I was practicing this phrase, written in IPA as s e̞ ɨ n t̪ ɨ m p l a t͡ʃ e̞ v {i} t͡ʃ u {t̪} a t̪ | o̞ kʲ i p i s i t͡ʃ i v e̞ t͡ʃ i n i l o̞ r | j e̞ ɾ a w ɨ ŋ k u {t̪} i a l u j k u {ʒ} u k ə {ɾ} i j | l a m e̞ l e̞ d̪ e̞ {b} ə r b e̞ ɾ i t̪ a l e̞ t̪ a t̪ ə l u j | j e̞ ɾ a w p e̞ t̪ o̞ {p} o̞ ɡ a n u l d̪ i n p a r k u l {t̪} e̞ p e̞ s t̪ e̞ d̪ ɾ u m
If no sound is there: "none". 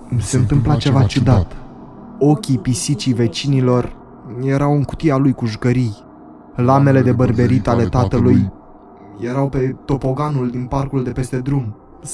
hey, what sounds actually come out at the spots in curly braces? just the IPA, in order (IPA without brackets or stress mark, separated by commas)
a, d̪, t̪, ʒ, ɾ, b, p, d̪